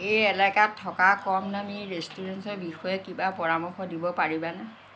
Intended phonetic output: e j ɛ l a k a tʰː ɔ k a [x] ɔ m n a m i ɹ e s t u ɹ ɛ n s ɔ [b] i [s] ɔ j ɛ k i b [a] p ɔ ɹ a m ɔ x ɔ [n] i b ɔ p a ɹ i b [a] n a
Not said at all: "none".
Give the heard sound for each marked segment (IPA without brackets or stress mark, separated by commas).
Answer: k, b, x, a, d, a